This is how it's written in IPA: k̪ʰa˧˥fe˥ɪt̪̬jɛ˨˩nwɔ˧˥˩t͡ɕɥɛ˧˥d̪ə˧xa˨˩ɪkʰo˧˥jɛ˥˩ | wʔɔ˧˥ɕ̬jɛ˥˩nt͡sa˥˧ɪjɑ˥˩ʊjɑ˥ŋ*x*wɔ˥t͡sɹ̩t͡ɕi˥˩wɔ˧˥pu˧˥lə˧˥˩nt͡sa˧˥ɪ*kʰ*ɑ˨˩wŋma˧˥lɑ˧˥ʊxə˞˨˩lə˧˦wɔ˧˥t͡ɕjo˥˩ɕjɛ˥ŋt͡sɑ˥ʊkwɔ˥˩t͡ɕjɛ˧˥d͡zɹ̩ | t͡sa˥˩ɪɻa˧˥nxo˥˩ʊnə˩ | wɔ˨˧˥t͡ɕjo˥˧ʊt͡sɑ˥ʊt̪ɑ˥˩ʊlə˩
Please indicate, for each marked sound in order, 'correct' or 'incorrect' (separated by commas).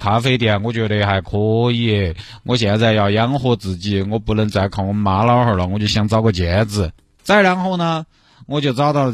correct, correct